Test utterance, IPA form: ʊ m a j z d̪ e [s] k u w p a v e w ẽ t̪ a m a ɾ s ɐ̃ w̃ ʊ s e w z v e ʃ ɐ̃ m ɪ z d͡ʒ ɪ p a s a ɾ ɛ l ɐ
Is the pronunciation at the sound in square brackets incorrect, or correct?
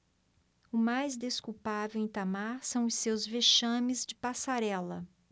correct